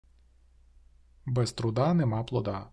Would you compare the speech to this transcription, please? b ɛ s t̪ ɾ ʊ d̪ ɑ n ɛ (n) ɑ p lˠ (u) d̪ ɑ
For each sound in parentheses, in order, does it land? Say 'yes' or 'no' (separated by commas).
no, no